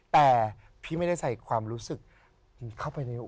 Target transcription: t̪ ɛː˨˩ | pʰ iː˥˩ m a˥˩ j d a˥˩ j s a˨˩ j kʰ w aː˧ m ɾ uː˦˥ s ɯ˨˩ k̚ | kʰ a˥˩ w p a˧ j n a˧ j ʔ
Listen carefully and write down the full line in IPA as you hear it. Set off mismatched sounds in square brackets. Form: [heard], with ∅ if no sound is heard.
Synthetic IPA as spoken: t̪ ɛː˨˩ | pʰ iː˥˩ m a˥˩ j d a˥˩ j s a˨˩ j kʰ w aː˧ m ɾ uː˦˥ s ɯ˨˩ k̚ | kʰ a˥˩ w p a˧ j n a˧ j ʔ